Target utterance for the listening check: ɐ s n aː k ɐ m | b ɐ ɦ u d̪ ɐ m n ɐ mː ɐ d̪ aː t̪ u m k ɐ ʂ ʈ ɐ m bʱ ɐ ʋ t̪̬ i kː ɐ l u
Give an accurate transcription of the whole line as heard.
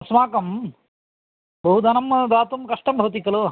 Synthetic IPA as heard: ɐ s m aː k ɐ m | b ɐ ɦ u d̪ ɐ n ɐ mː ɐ d̪ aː t̪ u m k ɐ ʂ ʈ ɐ m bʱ ɐ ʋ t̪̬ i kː ɐ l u